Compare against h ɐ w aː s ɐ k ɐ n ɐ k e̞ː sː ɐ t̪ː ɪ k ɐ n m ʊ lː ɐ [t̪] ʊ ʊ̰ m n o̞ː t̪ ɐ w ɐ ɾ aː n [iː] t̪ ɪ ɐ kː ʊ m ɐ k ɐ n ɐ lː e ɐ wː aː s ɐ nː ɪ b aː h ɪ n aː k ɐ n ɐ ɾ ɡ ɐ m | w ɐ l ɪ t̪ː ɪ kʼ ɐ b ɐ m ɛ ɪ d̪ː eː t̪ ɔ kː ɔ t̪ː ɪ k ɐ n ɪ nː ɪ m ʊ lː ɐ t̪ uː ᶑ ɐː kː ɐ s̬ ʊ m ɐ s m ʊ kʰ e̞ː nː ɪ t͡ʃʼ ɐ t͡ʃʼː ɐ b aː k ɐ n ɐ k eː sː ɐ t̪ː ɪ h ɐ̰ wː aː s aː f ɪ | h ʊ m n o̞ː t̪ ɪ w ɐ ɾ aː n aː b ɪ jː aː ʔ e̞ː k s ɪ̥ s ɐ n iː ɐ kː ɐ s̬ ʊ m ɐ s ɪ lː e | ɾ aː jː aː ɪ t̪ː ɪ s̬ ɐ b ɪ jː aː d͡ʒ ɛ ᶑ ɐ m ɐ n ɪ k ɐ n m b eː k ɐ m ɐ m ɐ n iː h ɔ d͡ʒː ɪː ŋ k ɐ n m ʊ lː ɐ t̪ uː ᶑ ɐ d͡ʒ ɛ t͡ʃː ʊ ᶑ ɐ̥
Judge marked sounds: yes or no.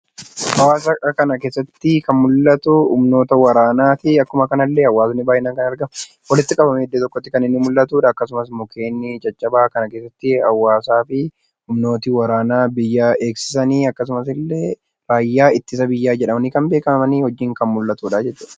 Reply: yes, no

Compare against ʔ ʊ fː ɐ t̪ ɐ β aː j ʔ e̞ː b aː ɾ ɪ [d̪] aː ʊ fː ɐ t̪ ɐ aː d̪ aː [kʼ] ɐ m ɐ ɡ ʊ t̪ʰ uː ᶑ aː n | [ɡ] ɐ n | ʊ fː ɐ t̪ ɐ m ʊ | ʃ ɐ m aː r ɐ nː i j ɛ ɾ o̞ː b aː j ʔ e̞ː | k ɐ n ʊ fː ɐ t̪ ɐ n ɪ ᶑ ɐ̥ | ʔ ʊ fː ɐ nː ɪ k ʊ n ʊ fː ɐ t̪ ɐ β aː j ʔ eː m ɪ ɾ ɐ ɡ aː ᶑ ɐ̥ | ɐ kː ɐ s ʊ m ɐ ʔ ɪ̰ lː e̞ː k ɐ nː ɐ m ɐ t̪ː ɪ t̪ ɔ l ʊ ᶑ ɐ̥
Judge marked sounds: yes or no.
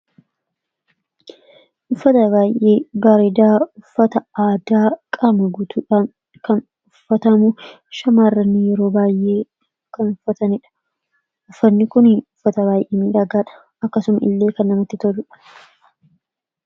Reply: yes, yes, no

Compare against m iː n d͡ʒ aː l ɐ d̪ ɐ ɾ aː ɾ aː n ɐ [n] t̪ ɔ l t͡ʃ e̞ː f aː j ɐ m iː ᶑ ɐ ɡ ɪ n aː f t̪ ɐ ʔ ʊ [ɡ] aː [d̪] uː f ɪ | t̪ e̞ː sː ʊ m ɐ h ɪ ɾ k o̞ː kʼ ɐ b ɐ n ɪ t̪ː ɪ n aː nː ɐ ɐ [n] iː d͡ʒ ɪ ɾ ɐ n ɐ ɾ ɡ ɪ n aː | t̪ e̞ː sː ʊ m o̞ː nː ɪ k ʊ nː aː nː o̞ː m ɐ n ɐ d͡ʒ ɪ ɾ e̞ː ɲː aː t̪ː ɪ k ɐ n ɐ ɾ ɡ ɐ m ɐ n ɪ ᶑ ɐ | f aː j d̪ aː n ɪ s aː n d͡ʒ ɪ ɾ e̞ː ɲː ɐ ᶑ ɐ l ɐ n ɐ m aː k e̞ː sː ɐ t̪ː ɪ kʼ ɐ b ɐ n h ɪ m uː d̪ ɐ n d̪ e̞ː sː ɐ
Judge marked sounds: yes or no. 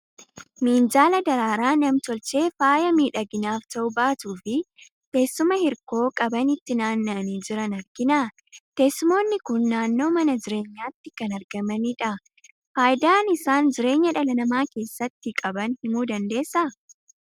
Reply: no, no, no, yes

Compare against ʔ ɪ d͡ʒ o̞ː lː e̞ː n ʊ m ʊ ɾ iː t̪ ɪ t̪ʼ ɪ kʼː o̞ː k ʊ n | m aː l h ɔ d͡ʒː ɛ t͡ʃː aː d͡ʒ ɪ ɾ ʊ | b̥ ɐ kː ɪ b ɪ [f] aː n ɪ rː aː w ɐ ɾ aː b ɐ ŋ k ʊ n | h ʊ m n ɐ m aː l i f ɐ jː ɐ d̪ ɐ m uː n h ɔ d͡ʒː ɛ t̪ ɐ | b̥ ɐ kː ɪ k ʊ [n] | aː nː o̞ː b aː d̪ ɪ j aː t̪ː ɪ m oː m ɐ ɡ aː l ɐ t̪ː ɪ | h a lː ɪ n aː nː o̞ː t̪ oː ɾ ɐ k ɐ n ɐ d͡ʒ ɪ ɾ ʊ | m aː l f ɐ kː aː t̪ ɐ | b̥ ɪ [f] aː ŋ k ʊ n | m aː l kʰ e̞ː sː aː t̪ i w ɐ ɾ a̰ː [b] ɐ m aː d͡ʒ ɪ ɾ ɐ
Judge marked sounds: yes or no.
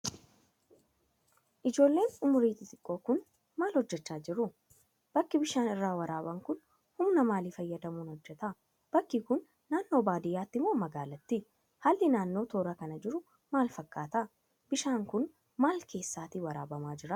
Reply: no, no, no, yes

